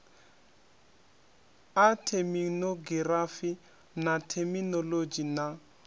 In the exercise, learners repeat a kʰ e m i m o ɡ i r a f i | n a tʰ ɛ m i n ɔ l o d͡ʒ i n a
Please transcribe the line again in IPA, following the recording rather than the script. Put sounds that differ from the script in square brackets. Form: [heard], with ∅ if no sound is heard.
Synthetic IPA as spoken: a [tʰ] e m i [n] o ɡ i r a f i | n a tʰ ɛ m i n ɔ l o d͡ʒ i n a